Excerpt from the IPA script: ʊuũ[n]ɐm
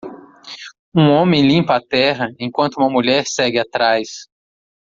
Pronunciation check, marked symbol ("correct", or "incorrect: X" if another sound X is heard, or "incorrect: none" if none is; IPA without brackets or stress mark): incorrect: m